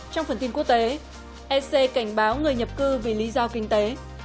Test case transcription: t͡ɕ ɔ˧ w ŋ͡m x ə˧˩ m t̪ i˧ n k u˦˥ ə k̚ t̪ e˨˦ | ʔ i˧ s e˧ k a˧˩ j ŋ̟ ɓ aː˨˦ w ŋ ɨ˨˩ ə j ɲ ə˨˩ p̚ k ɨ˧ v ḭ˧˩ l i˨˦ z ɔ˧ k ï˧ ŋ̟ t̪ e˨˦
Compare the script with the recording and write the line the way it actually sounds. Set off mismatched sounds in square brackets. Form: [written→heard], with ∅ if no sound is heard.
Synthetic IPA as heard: t͡ɕ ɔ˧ w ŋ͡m [x→f] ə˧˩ [m→n] t̪ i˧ n k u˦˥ ə k̚ t̪ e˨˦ | ʔ [i˧→ɛ˧] s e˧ k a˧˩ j ŋ̟ ɓ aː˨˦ w ŋ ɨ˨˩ ə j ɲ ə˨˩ p̚ k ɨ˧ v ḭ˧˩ l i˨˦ z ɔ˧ k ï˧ ŋ̟ t̪ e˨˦